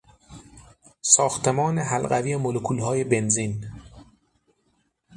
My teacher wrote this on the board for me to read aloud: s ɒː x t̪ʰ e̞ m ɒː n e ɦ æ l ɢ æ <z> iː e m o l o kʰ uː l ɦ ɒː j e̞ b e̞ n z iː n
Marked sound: incorrect: v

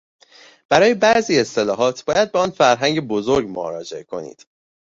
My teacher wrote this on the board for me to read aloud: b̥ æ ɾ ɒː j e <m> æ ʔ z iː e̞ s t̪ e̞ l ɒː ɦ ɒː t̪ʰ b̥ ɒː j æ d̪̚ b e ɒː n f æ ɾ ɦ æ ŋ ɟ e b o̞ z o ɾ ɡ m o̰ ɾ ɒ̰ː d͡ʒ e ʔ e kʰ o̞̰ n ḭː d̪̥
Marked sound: incorrect: b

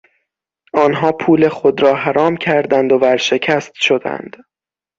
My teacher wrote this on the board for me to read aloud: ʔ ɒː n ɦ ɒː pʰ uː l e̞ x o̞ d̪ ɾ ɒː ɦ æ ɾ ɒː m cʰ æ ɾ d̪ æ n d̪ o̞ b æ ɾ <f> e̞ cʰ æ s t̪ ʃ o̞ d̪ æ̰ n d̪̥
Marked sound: incorrect: ʃ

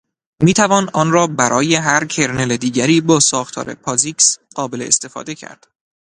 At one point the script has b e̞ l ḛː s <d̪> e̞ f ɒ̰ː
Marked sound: incorrect: t̪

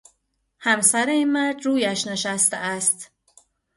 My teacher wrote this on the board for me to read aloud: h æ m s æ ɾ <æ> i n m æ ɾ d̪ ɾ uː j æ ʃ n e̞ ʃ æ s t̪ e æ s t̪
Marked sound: incorrect: e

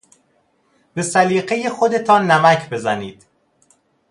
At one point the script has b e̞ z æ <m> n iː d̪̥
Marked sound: incorrect: none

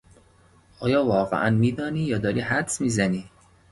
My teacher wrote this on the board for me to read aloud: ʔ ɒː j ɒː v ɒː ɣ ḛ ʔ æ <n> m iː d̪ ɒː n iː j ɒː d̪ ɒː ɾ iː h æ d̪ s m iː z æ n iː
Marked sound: correct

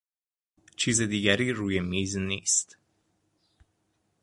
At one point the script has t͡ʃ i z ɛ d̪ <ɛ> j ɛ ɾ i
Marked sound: incorrect: i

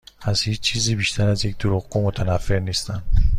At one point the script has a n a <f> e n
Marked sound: correct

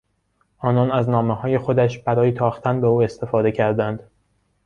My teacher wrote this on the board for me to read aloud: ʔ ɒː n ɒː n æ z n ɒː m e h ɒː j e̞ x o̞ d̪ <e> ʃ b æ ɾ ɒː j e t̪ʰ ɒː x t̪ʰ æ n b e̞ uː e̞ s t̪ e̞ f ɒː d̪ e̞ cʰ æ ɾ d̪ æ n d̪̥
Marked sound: incorrect: æ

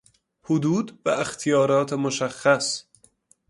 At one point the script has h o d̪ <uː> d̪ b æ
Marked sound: correct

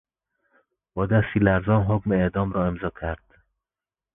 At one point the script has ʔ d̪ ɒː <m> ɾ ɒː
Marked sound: correct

